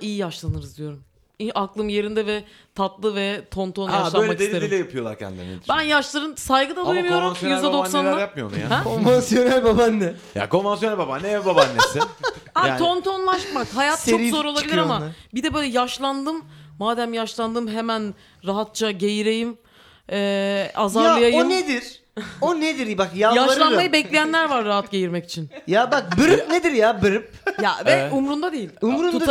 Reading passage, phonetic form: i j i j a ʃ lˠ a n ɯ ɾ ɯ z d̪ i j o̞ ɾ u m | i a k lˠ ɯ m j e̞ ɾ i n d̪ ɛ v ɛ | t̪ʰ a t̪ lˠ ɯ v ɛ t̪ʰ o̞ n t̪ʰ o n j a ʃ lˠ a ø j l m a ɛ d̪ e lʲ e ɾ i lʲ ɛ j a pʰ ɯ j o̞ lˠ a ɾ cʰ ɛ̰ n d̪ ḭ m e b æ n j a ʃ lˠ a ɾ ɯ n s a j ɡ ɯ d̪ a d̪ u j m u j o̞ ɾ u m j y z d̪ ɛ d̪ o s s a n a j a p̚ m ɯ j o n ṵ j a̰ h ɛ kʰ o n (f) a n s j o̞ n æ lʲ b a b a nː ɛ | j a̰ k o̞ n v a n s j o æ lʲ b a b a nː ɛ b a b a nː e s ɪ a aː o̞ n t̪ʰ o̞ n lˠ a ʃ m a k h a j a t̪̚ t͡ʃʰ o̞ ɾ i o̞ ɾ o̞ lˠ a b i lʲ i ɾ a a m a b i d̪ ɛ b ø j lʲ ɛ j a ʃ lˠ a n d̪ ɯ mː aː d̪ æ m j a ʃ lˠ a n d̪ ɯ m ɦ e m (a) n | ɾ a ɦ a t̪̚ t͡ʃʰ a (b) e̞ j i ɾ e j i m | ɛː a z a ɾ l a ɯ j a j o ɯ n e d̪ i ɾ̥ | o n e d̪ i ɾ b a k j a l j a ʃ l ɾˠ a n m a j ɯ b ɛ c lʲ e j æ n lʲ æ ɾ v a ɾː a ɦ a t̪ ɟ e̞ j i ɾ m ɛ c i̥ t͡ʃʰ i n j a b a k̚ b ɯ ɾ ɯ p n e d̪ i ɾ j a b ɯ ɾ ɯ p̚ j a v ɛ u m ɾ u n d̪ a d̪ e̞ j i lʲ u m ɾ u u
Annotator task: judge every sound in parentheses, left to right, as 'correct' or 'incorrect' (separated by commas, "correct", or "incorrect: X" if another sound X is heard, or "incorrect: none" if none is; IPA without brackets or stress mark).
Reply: incorrect: v, incorrect: æ, incorrect: ɟ